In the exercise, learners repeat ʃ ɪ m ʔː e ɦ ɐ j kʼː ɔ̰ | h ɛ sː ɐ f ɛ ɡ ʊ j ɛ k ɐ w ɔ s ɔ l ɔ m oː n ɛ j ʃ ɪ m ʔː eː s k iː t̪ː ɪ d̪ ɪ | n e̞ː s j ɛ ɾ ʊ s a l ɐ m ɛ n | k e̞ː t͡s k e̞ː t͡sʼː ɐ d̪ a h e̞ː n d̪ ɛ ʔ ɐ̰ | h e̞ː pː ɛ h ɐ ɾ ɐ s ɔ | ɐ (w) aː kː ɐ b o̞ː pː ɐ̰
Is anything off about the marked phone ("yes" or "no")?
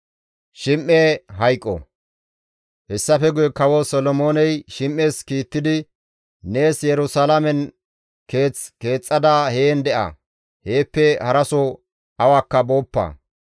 no